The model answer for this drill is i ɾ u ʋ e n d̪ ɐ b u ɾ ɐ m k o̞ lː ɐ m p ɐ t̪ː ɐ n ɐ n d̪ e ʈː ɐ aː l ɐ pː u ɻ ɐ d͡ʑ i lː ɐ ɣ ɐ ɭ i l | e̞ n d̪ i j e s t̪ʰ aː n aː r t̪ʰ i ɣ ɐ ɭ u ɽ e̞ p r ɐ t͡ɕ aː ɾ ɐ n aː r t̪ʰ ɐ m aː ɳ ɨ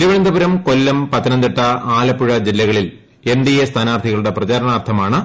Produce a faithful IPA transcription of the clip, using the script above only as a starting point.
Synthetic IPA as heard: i ɾ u ʋ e n d̪ ɐ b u ɾ ɐ m k o̞ lː ɐ m p ɐ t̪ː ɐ n ɐ n d̪ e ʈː ɐ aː l ɐ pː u ɻ ɐ d͡ʑ i lː ɐ ɣ ɐ ɭ i l | e̞ n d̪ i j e s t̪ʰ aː n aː r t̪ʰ i ɣ ɐ ɭ u ɽ e̞ p r ɐ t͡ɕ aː ɾ ɐ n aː r t̪ʰ ɐ m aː ɳ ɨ